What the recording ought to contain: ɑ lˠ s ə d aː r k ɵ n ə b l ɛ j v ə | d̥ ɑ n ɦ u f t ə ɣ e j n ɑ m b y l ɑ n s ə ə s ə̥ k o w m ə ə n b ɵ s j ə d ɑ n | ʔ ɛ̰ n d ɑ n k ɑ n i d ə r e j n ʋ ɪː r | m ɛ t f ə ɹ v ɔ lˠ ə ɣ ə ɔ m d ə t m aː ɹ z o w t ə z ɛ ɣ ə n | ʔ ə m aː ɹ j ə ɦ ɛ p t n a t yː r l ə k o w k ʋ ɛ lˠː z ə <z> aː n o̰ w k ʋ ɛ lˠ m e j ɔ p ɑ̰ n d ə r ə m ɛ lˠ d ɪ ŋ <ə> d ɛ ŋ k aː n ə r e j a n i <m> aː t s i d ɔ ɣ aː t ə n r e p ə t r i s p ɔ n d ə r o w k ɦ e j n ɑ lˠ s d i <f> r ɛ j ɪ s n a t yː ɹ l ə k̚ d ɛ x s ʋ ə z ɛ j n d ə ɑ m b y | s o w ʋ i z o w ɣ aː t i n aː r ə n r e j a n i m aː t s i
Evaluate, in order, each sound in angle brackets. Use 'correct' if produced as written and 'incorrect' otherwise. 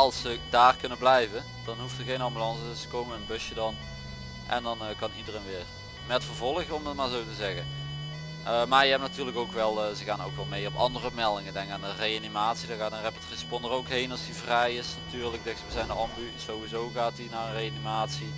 incorrect, correct, correct, incorrect

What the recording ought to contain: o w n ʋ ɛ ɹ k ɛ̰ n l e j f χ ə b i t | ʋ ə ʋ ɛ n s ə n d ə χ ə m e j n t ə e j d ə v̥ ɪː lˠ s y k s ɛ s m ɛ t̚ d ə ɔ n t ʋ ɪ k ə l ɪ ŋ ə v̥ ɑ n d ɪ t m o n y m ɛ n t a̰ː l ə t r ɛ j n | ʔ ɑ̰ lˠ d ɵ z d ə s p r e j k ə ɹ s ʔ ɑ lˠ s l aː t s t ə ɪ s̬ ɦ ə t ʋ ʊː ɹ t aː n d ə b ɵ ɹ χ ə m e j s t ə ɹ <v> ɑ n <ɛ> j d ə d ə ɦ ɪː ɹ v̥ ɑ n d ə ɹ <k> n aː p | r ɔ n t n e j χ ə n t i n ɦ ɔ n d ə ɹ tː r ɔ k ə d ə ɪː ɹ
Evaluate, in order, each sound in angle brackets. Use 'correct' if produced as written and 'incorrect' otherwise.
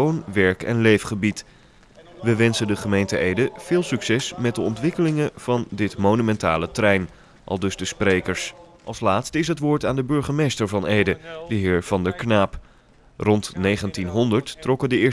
correct, incorrect, correct

